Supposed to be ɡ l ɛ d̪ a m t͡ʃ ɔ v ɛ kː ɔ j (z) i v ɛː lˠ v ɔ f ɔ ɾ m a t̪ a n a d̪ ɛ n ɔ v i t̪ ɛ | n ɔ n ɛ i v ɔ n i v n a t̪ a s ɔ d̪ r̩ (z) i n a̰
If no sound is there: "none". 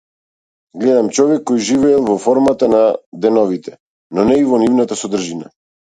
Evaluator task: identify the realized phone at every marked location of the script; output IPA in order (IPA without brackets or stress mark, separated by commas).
ʒ, ʒ